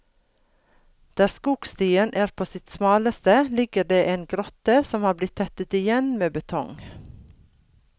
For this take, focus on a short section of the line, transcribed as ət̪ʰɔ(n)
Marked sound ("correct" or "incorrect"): incorrect